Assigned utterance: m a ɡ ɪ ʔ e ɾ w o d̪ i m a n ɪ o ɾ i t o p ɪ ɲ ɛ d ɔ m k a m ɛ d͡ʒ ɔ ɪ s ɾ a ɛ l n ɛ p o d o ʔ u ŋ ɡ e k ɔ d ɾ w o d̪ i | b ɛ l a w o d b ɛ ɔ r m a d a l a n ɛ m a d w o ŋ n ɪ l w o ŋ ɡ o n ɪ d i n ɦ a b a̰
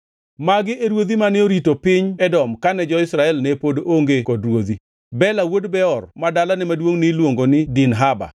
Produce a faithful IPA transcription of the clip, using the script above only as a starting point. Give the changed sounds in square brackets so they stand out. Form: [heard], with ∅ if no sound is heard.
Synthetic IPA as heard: m a ɡ ɪ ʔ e ɾ w o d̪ i m a n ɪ o ɾ i t o p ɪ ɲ ɛ d ɔ m k a [n] ɛ d͡ʒ ɔ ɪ s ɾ a ɛ l n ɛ p o d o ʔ [o] ŋ ɡ e k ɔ d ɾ w o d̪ i | b ɛ l a w o d b ɛ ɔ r m a d a l a n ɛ m a d w o ŋ n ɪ l w o ŋ ɡ o n ɪ d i n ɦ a b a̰

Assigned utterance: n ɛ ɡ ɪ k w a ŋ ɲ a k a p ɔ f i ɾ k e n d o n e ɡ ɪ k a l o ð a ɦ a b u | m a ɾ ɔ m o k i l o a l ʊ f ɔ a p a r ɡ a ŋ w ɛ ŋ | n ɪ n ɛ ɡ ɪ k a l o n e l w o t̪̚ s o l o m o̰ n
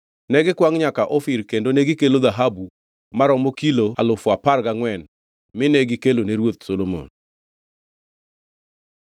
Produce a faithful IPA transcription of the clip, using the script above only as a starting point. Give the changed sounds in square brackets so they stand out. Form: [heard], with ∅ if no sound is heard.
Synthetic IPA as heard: n ɛ ɡ ɪ k w a ŋ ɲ a k a [ʔ] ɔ f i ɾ k e n d o n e ɡ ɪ k [e] l o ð a ɦ a b u | m a ɾ ɔ m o k i l o a l ʊ f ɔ a p a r ɡ a ŋ w ɛ [n] | [m] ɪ n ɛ ɡ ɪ k [e] l o n e [ɾ] w o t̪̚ s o l o m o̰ n

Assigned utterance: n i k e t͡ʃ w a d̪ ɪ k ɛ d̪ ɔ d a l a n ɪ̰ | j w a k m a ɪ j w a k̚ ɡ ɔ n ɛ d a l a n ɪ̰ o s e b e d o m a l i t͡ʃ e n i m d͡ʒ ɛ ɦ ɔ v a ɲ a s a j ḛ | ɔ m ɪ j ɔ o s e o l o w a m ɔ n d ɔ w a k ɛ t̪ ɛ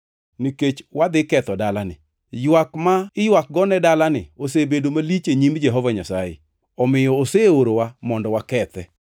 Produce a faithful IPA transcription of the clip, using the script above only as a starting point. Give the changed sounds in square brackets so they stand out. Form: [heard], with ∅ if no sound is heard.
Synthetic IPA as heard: n i k e t͡ʃ w a d̪ ɪ k ɛ [t̪] ɔ d a l a n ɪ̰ | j w a k m a ɪ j w a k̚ ɡ ɔ n ɛ d a l a n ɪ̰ o s e b e d o m a l i t͡ʃ e [ɲ] i m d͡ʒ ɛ ɦ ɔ v a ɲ a s a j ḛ | ɔ m ɪ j ɔ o s e o [ɾ] o w a m ɔ n d ɔ w a k ɛ t̪ ɛ

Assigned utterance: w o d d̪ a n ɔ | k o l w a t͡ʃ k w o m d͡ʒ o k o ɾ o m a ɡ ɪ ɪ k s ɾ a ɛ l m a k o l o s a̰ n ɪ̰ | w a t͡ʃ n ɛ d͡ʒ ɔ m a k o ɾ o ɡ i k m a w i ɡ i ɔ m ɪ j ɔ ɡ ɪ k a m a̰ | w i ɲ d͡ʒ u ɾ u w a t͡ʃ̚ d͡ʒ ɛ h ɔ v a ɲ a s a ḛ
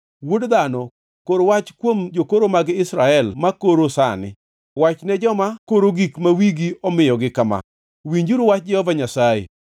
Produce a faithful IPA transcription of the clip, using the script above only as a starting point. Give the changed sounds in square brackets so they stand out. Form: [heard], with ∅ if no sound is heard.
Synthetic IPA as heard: w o d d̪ a n ɔ | k o [ɾ] w a t͡ʃ k w o m d͡ʒ o k o ɾ o m a ɡ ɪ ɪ [∅] s ɾ a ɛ l m a k o [ɾ] o s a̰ n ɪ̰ | w a t͡ʃ n ɛ d͡ʒ ɔ m a k o ɾ o ɡ i k m a w i ɡ i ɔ m ɪ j ɔ ɡ ɪ k a m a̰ | w i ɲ d͡ʒ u ɾ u w a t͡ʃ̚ d͡ʒ ɛ h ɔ v a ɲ a s a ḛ

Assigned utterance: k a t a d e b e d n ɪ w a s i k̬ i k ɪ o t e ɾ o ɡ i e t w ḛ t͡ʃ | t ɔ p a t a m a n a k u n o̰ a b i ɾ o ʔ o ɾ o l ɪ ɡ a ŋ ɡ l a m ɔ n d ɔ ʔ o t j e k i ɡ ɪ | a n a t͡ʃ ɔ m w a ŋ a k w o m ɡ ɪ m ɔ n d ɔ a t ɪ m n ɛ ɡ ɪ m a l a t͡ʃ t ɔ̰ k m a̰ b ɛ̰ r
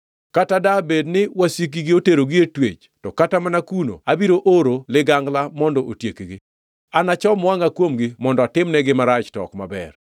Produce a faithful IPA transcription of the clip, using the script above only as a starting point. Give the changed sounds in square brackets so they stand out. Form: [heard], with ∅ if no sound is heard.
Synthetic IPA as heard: k a t a d [a] b e d n ɪ w a s i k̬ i [ɡ] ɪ o t e ɾ o ɡ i e t w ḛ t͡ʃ | t ɔ [k] a t a m a n a k u n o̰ a b i ɾ o ʔ o ɾ o l ɪ ɡ a ŋ ɡ l a m ɔ n d ɔ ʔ o t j e k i ɡ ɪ | a n a t͡ʃ ɔ m w a ŋ a k w o m ɡ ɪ m ɔ n d ɔ a t ɪ m n ɛ ɡ ɪ m a [ɾ] a t͡ʃ t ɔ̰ k m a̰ b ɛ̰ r

